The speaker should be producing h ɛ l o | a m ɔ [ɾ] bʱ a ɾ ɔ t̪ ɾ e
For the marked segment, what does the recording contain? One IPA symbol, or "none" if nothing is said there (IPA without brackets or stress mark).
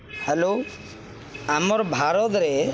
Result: ɾ